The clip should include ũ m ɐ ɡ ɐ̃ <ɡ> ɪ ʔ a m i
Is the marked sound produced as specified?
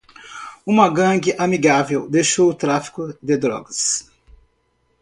yes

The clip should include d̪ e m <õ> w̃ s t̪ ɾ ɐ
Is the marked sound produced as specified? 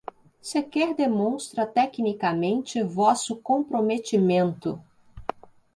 yes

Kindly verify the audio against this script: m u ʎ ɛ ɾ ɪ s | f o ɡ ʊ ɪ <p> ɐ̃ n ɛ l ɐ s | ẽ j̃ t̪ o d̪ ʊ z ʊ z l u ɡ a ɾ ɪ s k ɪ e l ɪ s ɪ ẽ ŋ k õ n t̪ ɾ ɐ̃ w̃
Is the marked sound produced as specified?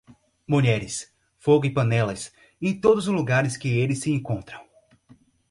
yes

